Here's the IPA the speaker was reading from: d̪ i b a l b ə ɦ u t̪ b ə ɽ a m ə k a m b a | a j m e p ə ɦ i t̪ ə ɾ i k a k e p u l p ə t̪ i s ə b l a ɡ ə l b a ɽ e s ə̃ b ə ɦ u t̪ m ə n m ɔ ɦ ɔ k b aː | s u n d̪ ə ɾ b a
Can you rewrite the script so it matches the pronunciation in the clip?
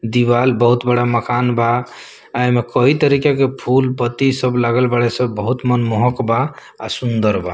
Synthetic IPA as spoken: d̪ i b a l b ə ɦ u t̪ b ə ɽ a m ə k a n b a | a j m e k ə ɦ i t̪ ə ɾ i k a k e pʰ u l p ə t̪ i s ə b l a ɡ ə l b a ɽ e s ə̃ b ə ɦ u t̪ m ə n m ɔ ɦ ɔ k b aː | s u n d̪ ə ɾ b a